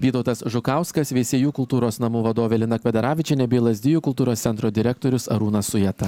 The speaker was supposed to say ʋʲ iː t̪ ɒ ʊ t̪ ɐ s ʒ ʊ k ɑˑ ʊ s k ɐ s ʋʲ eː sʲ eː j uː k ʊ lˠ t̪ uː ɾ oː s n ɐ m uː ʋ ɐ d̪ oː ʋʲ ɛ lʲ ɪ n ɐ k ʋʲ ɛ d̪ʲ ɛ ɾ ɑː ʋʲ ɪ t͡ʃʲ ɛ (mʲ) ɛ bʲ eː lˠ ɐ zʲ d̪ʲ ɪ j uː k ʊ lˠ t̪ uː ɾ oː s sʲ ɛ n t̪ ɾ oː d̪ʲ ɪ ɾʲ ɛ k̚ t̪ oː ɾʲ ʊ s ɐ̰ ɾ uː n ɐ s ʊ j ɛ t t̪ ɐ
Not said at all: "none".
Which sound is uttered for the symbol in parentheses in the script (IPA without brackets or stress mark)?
nʲ